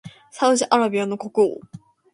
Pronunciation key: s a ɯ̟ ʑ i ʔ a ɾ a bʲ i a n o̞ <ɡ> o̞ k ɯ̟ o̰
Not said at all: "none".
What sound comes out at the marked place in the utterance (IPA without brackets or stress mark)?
k